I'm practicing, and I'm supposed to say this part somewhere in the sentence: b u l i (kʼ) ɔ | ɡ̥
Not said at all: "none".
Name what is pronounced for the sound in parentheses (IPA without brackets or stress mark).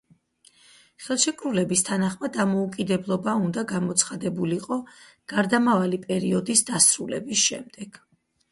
qʼ